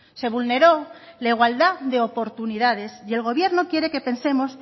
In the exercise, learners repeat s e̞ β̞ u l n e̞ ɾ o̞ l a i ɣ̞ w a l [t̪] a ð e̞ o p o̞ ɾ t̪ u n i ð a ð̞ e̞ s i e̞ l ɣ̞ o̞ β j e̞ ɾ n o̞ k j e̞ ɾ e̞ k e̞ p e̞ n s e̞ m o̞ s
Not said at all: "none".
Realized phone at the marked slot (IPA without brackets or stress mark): d̪